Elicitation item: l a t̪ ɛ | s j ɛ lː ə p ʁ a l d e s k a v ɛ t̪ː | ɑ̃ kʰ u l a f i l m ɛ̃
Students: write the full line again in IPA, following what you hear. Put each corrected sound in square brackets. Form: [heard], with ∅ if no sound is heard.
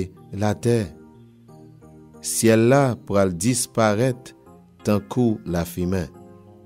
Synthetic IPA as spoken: l a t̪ ɛ | s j ɛ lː [a] p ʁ a l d [i] s [p] a [ʁ] ɛ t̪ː | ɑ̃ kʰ u l a f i [∅] m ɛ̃